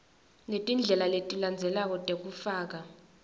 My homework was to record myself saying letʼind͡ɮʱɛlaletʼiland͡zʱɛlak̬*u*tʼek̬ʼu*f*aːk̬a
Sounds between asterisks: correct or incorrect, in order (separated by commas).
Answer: incorrect, correct